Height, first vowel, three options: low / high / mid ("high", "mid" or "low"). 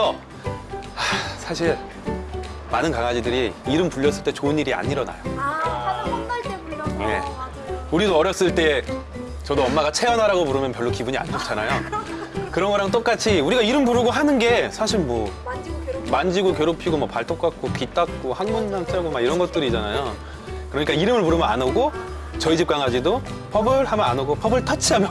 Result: mid